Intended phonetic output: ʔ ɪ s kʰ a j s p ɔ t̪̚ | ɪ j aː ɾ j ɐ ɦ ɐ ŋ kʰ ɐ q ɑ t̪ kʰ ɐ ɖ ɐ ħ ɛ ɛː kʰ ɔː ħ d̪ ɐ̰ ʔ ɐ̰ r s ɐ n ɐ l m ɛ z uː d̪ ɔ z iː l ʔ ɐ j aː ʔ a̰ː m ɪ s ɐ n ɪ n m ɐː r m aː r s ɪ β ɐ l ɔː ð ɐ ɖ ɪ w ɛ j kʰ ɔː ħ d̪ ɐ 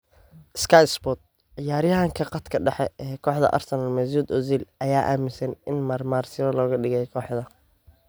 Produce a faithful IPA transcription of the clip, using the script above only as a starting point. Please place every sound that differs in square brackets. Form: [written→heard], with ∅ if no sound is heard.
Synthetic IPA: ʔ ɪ s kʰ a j s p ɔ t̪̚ | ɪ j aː ɾ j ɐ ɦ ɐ ŋ kʰ ɐ q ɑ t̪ kʰ ɐ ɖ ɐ ħ ɛ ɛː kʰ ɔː ħ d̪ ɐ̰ ʔ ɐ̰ r s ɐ n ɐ l m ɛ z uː d̪ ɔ z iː l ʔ ɐ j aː ʔ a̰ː m ɪ s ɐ n ɪ n m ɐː r m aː r s ɪ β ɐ l ɔː [ð→ɣ] ɐ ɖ ɪ [w→ɣ] ɛ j kʰ ɔː ħ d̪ ɐ